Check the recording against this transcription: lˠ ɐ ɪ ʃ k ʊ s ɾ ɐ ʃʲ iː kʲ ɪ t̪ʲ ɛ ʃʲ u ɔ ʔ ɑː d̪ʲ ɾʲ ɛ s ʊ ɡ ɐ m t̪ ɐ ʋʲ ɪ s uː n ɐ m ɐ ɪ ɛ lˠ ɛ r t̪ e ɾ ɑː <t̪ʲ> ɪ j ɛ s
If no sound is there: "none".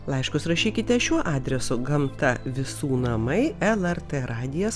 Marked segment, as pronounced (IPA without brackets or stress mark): d̪ʲ